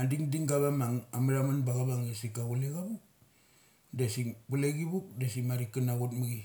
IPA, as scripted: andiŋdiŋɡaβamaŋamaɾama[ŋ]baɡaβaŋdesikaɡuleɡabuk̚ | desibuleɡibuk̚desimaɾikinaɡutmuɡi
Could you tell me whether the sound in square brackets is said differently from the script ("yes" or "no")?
yes